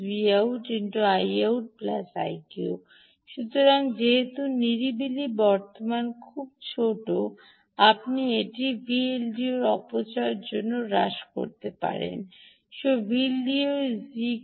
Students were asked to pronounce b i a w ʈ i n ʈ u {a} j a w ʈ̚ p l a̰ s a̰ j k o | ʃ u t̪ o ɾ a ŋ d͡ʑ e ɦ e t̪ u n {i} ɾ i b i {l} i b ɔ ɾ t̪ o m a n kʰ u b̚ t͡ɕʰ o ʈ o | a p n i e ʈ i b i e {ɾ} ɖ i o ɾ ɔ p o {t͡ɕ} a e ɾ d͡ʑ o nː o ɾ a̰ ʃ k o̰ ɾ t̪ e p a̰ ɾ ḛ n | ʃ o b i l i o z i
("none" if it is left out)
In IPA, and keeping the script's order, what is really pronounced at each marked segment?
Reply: a, i, l, l, t͡ɕ

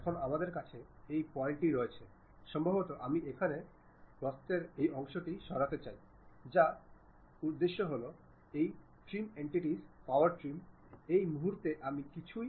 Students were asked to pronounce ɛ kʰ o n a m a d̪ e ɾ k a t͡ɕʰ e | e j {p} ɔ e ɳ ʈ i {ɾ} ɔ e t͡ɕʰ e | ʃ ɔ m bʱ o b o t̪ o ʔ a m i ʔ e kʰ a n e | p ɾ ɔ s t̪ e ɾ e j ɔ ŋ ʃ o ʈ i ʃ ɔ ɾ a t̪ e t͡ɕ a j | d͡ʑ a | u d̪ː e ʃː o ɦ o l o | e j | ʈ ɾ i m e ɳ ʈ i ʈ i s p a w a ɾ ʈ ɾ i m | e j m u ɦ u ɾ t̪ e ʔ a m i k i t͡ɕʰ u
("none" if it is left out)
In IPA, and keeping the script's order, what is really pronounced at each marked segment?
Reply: p, ɾ

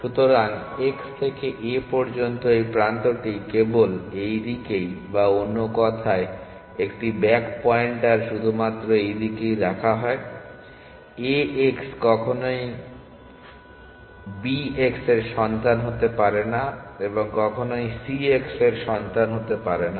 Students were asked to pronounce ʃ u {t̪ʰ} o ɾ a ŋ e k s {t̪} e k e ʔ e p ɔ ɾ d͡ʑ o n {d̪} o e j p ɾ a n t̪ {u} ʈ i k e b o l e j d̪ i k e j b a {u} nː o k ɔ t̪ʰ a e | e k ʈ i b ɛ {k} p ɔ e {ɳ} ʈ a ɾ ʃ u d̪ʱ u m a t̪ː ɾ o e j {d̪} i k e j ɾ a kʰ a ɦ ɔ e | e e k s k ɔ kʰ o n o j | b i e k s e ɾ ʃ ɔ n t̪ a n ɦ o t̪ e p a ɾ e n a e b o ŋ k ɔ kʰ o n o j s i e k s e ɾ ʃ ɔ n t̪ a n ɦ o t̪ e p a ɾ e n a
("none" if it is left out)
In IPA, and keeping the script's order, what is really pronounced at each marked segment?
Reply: t̪, t̪ʰ, t̪, o, o, k, ɳ, d̪

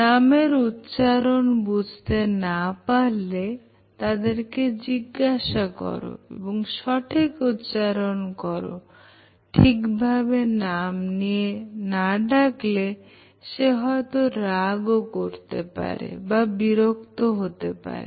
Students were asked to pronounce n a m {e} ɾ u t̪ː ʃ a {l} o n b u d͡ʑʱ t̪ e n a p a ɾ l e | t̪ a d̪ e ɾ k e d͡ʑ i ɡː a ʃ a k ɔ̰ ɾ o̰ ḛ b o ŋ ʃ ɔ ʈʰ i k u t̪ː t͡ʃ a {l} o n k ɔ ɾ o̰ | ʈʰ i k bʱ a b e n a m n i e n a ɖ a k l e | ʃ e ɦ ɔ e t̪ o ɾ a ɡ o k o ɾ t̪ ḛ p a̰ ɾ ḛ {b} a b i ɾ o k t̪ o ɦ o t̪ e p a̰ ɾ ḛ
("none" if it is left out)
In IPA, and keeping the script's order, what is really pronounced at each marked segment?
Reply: e, ɾ, ɾ, b

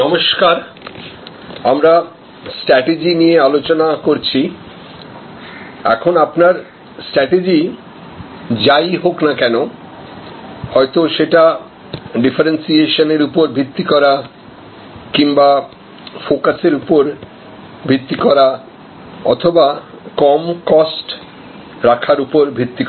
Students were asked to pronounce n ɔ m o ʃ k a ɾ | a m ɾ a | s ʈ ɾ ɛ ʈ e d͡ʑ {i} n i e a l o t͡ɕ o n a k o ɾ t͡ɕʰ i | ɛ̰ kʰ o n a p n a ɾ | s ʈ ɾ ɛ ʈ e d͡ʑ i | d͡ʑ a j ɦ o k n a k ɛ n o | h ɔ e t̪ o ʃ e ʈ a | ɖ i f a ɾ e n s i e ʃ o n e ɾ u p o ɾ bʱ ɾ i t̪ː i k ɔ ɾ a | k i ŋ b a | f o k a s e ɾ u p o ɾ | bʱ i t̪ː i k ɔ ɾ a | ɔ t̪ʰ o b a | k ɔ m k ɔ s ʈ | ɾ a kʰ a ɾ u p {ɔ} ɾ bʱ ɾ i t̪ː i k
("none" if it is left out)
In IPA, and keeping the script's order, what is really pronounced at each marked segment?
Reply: i, o

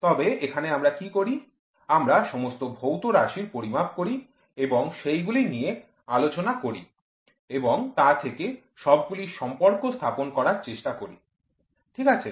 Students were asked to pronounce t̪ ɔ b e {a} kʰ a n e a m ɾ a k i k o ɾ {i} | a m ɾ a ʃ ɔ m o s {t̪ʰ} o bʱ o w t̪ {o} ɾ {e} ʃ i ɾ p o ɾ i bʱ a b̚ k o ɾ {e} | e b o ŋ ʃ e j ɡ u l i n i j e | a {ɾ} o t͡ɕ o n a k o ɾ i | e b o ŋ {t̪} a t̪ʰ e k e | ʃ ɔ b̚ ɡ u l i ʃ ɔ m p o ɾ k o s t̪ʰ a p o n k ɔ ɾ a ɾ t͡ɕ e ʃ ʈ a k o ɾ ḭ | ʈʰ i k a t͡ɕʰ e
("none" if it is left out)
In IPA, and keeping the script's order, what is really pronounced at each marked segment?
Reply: e, i, t̪, o, a, i, l, t̪

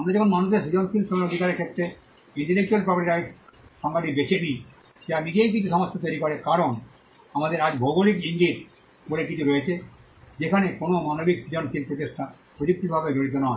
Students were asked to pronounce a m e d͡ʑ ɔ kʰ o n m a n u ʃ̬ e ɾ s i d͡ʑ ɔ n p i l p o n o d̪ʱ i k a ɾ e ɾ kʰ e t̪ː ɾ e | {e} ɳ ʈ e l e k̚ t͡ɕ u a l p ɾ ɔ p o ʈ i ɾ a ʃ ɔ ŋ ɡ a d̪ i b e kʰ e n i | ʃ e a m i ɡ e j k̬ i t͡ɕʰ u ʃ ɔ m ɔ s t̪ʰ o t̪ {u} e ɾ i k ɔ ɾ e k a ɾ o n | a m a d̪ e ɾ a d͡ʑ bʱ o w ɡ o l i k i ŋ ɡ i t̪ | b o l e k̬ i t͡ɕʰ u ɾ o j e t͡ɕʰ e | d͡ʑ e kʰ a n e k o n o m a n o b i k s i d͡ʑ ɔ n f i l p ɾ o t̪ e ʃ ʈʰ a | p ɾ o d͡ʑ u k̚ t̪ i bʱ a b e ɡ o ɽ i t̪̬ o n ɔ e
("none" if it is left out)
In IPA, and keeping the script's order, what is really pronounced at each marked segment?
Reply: i, o

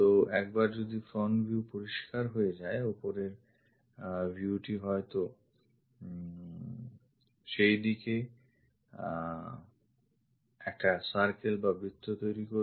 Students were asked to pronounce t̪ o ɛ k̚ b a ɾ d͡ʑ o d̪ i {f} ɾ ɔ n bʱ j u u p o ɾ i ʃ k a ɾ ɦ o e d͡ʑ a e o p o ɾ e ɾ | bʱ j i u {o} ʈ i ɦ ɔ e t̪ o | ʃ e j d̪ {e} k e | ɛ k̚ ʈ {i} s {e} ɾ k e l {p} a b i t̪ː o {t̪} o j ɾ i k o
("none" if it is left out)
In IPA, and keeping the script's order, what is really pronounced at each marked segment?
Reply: f, u, i, a, a, b, t̪

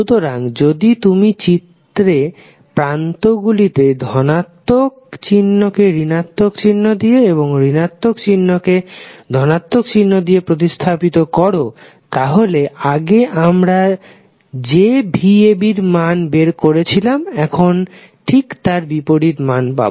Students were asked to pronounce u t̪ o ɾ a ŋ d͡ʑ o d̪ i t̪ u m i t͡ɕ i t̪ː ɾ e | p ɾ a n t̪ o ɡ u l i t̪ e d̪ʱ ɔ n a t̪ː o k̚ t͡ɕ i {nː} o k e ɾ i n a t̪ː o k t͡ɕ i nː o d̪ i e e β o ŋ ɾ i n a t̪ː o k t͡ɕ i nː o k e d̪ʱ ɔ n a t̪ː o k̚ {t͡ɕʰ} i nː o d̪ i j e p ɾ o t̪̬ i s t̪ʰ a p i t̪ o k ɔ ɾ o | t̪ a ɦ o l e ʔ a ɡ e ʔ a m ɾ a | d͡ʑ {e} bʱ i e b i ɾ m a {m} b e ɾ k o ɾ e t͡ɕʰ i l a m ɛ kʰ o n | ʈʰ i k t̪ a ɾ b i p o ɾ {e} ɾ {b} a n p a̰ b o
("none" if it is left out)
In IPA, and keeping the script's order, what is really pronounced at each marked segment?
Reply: nː, t͡ɕ, e, n, i, m

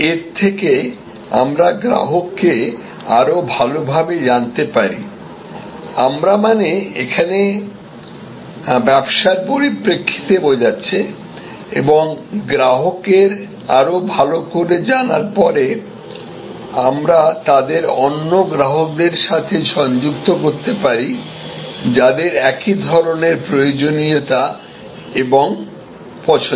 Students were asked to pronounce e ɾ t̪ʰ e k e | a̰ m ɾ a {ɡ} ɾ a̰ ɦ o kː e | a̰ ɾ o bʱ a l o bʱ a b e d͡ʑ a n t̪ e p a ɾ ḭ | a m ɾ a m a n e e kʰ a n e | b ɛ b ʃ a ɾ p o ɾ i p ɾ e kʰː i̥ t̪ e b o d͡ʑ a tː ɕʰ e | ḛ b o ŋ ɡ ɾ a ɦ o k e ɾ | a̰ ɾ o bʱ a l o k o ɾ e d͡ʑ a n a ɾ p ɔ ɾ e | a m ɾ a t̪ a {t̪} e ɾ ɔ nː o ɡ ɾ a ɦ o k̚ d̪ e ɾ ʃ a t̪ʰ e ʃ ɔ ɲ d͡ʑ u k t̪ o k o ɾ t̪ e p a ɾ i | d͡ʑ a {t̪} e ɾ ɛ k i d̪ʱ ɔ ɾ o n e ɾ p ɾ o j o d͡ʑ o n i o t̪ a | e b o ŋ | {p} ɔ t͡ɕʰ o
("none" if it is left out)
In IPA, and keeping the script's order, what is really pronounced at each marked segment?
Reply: ɡ, d̪, d̪, p

